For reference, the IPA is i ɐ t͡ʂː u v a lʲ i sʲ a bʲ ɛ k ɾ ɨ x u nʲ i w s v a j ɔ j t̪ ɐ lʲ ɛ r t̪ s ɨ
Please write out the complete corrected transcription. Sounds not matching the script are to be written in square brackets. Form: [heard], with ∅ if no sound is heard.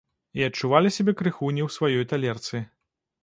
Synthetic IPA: i ɐ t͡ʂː u v a lʲ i sʲ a bʲ ɛ k ɾ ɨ x u nʲ i w s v a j ɔ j t̪ [a] lʲ ɛ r t̪ s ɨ